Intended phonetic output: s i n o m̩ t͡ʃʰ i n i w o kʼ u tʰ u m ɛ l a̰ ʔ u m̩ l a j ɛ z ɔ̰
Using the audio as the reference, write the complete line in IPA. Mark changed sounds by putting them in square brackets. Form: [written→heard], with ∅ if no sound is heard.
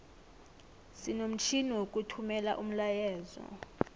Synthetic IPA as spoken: s i n o m̩ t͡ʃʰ i n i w o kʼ u tʰ u m ɛ l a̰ ʔ u m̩ l a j [ɛ→ɛː] z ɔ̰